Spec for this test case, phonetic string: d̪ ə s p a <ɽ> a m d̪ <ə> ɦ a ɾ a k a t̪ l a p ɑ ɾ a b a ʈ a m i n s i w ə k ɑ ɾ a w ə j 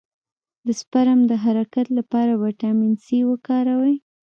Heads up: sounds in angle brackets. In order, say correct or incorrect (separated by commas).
incorrect, correct